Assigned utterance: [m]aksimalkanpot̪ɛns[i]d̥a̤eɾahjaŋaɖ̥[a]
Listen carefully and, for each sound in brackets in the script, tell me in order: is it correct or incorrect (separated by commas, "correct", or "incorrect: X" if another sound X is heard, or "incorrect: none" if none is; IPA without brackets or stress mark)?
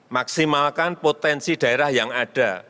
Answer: correct, correct, correct